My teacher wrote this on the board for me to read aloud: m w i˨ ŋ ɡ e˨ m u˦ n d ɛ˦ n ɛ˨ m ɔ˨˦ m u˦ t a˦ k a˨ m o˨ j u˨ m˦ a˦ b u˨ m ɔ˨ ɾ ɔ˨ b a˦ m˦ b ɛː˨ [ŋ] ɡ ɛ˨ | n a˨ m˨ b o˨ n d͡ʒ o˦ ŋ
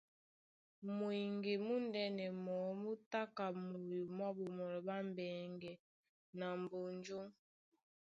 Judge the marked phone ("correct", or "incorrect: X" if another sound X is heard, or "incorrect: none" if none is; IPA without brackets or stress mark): correct